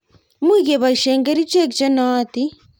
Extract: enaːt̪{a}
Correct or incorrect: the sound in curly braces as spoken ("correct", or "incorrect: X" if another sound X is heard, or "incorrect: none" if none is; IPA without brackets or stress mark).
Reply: incorrect: i